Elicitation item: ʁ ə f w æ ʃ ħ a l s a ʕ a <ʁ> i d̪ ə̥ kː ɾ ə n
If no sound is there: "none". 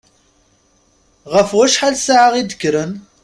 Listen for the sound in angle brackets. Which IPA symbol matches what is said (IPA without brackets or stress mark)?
ʁ